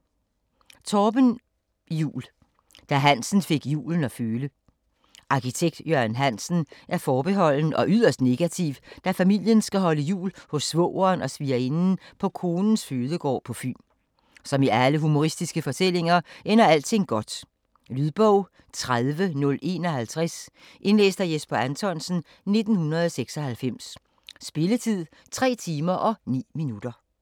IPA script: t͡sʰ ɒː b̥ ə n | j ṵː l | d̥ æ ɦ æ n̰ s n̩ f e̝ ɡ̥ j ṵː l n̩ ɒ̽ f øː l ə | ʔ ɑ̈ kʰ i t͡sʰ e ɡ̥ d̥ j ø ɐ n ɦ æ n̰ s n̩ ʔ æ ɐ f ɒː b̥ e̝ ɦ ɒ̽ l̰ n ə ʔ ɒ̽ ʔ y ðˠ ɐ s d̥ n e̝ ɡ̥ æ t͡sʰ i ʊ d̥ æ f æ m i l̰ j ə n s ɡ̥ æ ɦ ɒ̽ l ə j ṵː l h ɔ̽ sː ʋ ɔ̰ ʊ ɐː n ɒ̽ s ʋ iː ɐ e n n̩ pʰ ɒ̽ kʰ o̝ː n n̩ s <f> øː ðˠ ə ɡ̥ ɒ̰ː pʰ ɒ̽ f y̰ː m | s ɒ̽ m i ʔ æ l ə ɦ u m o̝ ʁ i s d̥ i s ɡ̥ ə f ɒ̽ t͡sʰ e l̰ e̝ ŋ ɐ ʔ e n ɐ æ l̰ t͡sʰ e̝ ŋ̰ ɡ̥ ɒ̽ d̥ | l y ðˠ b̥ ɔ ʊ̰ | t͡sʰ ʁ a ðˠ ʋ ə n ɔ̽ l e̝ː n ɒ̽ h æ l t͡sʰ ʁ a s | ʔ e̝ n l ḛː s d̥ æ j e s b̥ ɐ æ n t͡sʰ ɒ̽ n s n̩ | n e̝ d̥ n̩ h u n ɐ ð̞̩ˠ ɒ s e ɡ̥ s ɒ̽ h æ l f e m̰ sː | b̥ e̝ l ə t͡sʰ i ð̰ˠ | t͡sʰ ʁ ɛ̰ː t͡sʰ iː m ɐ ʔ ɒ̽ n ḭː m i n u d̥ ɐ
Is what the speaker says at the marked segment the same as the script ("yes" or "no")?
yes